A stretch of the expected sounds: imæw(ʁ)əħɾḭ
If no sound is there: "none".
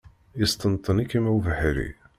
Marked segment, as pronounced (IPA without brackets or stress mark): v